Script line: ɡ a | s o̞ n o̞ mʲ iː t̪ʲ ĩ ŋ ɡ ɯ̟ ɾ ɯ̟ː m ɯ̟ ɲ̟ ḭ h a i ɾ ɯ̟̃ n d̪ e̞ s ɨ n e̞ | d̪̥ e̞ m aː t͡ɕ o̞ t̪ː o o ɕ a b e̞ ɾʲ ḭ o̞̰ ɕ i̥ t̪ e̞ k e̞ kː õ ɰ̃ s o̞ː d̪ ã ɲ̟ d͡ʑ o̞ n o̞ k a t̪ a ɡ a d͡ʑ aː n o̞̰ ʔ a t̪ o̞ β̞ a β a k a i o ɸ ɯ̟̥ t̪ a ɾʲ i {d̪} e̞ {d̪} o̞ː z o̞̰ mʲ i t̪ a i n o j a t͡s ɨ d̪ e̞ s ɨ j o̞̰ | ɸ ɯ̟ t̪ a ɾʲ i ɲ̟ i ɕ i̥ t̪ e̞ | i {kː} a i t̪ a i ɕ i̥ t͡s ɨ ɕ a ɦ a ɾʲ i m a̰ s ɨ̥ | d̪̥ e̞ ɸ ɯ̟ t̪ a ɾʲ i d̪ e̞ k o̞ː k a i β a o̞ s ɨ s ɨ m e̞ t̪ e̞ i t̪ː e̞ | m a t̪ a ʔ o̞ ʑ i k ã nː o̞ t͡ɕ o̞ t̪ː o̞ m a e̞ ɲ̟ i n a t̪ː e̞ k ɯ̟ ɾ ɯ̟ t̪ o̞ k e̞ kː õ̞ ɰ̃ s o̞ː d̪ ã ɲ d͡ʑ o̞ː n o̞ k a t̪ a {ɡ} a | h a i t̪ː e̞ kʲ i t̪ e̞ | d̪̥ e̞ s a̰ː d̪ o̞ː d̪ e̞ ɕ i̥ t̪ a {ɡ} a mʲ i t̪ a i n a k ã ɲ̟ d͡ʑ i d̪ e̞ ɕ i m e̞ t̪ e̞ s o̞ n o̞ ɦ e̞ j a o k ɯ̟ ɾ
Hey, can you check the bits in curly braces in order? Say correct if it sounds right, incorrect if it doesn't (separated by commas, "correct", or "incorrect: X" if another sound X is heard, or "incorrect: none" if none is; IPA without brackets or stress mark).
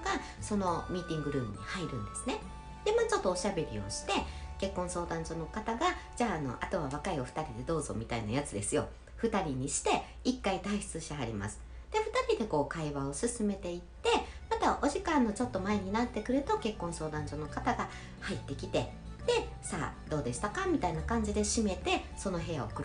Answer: correct, correct, correct, correct, incorrect: k